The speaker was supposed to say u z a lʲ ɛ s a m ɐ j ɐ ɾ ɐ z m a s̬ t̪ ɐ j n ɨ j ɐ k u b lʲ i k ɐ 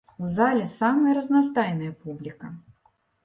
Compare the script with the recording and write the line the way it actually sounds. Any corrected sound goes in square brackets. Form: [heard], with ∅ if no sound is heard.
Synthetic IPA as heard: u z a lʲ ɛ s a m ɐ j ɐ ɾ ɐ z [n] a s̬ t̪ [a] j n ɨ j ɐ [p] u b lʲ i k ɐ